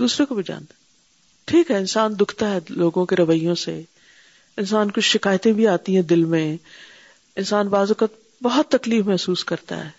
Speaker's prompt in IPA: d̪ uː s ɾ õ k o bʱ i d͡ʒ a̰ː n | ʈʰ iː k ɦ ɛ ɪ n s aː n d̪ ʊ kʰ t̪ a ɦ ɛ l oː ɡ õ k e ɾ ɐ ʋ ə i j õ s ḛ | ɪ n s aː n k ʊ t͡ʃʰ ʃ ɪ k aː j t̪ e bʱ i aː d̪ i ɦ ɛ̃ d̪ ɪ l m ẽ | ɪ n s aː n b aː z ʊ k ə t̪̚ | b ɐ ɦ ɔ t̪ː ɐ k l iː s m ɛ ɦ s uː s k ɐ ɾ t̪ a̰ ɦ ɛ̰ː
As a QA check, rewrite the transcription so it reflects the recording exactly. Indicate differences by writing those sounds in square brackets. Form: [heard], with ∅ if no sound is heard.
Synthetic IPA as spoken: d̪ uː s ɾ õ k o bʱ i d͡ʒ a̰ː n | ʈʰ iː k ɦ ɛ ɪ n s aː n d̪ ʊ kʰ t̪ a ɦ ɛ l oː ɡ õ k e ɾ ɐ ʋ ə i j õ s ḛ | ɪ n s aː n k ʊ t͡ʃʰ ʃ ɪ k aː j t̪ [ẽ] bʱ i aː [t̪] i ɦ ɛ̃ d̪ ɪ l m ẽ | ɪ n s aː n b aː z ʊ k ə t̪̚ | b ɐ ɦ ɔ t̪ː ɐ k l iː [f] m ɛ ɦ s uː s k ɐ ɾ t̪ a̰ ɦ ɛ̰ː